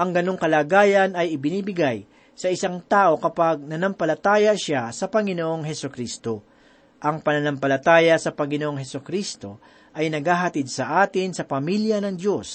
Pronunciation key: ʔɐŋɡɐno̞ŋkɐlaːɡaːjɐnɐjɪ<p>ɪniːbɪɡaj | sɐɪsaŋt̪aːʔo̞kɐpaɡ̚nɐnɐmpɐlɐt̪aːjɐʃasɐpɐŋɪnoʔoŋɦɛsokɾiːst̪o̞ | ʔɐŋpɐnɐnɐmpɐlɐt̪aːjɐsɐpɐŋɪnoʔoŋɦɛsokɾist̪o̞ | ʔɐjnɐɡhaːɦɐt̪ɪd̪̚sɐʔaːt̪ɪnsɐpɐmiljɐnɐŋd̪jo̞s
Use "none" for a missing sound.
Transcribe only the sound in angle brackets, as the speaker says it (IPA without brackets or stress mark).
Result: b